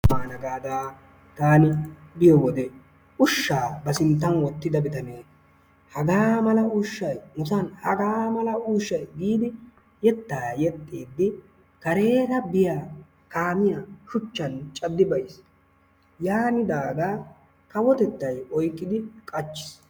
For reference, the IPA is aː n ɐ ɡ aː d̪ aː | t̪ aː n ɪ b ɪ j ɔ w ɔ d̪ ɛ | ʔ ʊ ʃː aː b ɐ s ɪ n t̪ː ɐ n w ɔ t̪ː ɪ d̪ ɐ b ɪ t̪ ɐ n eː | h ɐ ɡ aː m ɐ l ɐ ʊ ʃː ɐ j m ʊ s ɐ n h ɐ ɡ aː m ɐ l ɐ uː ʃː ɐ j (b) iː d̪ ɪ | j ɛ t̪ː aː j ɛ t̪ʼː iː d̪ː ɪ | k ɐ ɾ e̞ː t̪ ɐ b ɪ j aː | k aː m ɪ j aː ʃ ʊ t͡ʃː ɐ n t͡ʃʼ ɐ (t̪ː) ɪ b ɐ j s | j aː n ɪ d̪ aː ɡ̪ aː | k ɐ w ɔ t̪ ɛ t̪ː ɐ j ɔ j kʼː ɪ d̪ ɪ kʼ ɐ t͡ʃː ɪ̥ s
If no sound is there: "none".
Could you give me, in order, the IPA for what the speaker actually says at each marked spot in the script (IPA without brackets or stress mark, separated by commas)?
ɡ, d̪ː